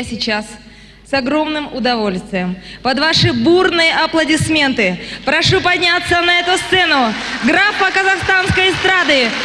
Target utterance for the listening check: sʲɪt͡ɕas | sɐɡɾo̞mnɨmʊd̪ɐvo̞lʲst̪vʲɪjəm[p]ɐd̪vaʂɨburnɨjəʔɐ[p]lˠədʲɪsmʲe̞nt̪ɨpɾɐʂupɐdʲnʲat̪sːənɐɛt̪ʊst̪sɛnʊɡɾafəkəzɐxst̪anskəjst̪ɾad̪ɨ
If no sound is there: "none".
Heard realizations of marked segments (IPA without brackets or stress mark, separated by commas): p, p